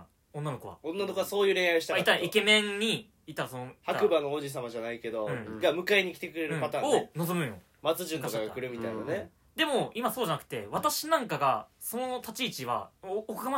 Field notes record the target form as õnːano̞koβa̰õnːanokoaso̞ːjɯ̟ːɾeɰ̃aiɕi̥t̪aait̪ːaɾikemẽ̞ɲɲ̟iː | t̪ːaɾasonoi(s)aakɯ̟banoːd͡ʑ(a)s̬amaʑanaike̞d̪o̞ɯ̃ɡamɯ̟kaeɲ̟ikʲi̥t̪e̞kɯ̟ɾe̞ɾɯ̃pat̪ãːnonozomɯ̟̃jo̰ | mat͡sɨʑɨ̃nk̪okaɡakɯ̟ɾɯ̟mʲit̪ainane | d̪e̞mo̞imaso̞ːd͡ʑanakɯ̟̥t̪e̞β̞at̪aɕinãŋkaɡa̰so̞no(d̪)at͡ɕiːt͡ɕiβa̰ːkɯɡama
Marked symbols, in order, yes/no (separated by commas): no, no, no